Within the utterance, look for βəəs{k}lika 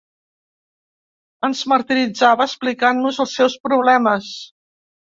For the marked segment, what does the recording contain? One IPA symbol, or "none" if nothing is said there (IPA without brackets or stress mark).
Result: p